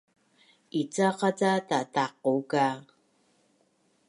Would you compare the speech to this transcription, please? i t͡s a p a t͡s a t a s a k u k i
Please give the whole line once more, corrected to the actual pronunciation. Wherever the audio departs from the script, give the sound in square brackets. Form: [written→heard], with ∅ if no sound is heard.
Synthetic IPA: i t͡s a [p→q] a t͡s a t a [s→t] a [k→q] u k [i→a]